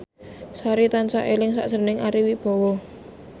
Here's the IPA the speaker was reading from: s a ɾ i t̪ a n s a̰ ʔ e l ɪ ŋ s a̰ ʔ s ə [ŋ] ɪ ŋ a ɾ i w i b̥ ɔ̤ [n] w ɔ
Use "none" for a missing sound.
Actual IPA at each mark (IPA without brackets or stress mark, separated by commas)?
n, none